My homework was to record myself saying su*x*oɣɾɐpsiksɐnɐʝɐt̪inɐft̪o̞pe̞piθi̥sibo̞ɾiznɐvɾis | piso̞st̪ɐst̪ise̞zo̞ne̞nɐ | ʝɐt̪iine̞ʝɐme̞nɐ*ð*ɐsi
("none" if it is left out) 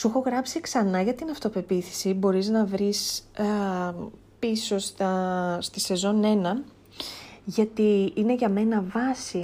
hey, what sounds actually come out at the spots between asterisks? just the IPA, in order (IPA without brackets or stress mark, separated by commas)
x, v